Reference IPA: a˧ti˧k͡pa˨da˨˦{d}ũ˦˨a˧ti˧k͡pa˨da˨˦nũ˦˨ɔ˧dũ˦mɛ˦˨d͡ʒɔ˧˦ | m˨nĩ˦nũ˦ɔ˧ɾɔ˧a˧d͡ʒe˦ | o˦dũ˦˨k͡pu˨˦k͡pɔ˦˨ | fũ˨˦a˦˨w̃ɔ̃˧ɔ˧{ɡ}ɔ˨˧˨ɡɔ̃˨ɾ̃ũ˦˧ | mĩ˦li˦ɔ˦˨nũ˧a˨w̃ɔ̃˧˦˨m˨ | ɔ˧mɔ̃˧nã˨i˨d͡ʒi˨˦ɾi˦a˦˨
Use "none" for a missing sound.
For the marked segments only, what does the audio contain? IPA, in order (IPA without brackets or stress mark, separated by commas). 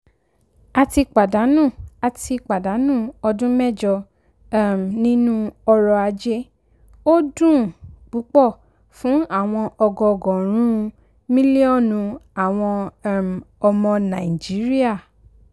n, ɡ